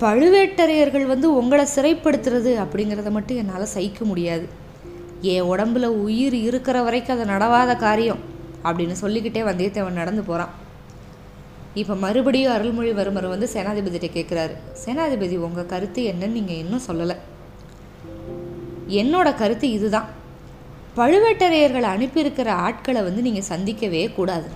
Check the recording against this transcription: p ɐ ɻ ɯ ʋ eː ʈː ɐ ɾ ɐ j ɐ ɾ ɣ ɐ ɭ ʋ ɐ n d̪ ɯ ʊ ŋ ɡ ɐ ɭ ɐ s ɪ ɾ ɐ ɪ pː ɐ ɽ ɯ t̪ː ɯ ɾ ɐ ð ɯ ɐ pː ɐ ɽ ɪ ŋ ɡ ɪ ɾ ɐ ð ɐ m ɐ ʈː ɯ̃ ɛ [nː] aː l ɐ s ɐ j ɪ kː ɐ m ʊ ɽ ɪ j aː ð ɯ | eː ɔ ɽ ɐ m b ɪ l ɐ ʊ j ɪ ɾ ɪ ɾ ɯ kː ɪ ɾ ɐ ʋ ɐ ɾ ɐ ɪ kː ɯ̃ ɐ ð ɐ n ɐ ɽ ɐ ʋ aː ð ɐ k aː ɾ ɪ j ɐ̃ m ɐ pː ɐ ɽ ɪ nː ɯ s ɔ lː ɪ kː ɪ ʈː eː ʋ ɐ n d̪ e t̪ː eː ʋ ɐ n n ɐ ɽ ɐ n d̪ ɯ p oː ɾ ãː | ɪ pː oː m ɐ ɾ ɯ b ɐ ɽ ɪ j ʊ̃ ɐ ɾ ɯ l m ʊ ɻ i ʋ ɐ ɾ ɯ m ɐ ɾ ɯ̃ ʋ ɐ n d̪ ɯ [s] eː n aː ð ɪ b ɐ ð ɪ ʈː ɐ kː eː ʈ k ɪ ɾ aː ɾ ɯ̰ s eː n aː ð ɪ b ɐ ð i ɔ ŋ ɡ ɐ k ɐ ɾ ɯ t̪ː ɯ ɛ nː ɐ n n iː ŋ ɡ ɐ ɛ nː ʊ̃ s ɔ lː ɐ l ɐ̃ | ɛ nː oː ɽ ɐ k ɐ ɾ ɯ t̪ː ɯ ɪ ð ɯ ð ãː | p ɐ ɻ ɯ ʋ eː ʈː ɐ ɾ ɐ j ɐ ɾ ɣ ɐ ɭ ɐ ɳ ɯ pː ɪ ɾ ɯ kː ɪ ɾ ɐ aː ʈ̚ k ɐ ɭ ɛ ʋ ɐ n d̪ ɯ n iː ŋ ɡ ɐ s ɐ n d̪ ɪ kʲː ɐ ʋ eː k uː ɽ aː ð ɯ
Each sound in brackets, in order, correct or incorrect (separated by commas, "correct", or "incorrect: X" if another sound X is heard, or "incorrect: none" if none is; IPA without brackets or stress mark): correct, correct